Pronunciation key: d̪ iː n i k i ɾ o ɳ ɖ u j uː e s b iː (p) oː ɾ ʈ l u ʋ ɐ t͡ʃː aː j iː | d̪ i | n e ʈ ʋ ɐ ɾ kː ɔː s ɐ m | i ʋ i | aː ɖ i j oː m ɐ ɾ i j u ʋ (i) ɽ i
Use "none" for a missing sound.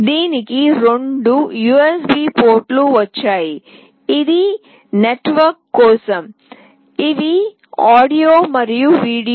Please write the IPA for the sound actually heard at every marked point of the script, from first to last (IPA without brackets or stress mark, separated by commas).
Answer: p, iː